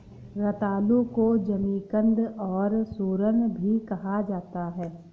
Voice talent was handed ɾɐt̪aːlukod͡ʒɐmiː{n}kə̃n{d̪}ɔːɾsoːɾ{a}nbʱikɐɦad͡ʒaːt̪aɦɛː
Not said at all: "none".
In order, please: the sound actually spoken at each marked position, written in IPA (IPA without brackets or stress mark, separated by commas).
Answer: none, d̪, ə